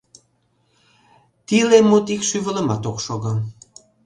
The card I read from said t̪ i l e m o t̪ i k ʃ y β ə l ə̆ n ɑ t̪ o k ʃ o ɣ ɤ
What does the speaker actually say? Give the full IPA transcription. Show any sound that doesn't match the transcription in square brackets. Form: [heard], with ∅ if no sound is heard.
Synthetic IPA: t̪ i l e m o t̪ i k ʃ y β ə l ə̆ [m] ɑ t̪ o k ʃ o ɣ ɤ

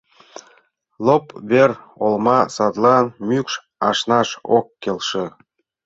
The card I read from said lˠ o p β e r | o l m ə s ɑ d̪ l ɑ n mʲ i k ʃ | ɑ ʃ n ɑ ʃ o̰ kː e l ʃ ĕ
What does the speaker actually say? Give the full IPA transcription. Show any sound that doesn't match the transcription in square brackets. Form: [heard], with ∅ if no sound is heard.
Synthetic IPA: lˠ o p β e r | o l m [ɑ] s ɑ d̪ l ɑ n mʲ [y] k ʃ | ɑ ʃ n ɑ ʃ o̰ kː e l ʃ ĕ

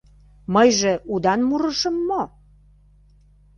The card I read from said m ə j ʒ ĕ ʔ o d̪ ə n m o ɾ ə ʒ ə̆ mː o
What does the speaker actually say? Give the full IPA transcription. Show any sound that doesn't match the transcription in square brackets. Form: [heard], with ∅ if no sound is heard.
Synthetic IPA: m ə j ʒ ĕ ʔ [u] d̪ [ɑ] n m [u] ɾ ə [ʃ] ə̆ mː o

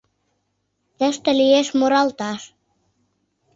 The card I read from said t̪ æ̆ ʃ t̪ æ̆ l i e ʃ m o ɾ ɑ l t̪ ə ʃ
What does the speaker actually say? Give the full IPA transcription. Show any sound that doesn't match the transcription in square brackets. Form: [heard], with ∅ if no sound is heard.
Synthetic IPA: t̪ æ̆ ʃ t̪ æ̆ l i e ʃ m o ɾ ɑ l t̪ [ɑ] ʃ

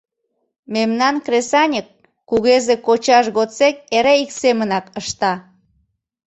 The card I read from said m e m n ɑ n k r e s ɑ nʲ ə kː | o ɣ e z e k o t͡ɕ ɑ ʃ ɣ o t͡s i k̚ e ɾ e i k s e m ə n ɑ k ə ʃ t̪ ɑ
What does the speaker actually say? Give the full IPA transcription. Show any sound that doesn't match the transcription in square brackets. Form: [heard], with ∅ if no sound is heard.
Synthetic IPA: m e m n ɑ n k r e s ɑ nʲ ə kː | [u] ɣ e z e k o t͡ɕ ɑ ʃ ɣ o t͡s [e] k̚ e ɾ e i k s e m ə n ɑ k ə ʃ t̪ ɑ

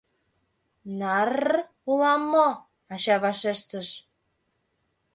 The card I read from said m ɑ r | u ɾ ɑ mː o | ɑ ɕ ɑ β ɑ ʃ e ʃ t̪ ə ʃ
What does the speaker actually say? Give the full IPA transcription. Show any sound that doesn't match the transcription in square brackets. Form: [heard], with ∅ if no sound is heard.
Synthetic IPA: [n] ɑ r | u [l] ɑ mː o | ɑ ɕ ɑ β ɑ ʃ e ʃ t̪ ə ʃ

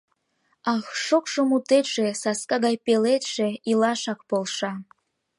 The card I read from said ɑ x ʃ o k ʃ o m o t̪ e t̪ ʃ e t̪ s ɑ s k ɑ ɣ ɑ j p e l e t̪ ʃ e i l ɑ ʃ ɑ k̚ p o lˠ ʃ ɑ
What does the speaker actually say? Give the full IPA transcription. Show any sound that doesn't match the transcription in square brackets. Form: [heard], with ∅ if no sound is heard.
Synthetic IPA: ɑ x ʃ o k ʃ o m [u] t̪ e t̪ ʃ e [∅] s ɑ s k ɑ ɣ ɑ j p e l e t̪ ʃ e i l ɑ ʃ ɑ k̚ p o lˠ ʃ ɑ

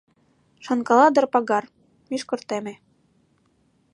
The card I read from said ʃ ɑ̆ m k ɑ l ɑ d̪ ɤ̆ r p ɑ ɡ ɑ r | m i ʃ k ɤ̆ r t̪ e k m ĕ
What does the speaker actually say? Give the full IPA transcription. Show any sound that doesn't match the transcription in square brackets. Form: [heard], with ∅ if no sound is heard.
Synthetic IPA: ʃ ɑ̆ [n] k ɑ l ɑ d̪ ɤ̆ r p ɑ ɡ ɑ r | m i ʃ k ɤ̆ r t̪ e [∅] m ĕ

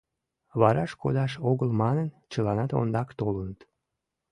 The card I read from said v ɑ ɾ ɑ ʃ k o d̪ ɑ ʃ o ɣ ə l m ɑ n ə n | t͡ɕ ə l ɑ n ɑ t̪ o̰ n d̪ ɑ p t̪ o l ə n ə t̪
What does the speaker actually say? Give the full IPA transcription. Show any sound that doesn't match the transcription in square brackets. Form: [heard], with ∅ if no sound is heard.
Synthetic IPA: [β] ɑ ɾ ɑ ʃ k o d̪ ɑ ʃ o ɣ ə l m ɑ n ə n | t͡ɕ ə l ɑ n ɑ t̪ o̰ n d̪ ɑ [k] t̪ o l ə n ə t̪

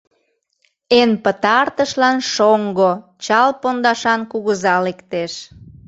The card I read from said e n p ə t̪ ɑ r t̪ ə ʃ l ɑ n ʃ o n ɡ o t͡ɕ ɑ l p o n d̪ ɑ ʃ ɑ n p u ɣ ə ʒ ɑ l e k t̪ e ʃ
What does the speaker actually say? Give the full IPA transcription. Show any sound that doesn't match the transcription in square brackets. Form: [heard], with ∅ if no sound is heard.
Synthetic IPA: e n p ə t̪ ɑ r t̪ ə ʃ l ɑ n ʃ o [ŋ] ɡ o t͡ɕ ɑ l p o n d̪ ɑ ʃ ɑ n [k] u ɣ ə [z] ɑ l e k t̪ e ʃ

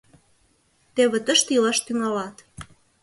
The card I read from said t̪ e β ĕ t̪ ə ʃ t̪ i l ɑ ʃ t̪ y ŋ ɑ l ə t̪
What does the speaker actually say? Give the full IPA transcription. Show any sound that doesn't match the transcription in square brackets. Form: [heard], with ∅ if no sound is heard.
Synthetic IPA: t̪ e β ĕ t̪ ə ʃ t̪ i l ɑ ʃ t̪ y ŋ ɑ l [ɑ] t̪

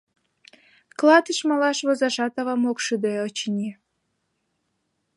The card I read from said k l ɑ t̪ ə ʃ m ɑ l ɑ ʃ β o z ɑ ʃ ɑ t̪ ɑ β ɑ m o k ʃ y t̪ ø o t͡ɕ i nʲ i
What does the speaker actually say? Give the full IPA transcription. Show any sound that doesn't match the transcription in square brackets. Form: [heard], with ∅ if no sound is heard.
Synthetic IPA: k l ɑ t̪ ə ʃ m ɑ l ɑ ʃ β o z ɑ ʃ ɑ t̪ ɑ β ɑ m o k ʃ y [d̪] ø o t͡ɕ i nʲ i

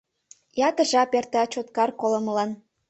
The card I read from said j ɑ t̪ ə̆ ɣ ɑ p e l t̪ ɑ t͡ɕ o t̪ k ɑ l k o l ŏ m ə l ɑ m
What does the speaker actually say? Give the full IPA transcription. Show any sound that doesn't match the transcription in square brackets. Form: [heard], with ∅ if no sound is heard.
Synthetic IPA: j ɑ t̪ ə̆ [ʒ] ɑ p e [r] t̪ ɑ t͡ɕ o t̪ k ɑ [r] k o l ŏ m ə l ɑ [n]

